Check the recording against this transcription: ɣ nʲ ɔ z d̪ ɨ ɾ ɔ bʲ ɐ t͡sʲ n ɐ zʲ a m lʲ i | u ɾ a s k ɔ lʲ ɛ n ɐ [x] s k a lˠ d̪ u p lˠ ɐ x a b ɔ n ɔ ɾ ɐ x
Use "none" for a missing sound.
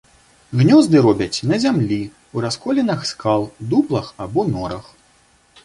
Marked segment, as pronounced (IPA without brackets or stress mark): x